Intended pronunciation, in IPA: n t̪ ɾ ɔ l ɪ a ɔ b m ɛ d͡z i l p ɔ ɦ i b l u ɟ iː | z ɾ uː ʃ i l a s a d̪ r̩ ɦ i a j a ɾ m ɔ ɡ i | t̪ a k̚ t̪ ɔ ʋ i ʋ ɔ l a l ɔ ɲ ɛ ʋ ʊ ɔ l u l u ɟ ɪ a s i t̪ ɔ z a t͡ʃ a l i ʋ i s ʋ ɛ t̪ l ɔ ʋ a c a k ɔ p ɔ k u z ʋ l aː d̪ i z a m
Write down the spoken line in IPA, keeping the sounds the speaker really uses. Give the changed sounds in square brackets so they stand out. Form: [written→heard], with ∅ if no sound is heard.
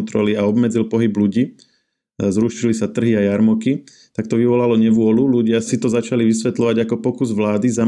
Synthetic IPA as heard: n t̪ ɾ ɔ l [ɪ→i] a ɔ b m ɛ d͡z i l p ɔ ɦ i b l u ɟ iː | z ɾ uː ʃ i l [a→i] s a [d̪→t̪] r̩ ɦ i a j a ɾ m ɔ [ɡ→k] i | t̪ a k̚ t̪ ɔ ʋ i ʋ ɔ l a l ɔ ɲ ɛ ʋ ʊ ɔ l u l u ɟ ɪ a s i t̪ ɔ z a t͡ʃ a l i ʋ i s ʋ ɛ t̪ l ɔ ʋ a [c→ɟ] a k ɔ p ɔ k u z ʋ l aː d̪ i z a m